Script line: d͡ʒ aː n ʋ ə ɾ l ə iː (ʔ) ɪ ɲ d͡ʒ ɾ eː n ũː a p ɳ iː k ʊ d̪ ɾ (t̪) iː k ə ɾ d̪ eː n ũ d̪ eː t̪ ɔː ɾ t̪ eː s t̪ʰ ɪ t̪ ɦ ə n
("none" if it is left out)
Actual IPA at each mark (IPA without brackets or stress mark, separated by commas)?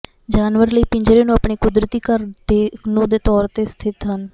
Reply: p, t̪